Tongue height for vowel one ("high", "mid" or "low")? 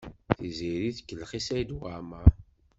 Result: high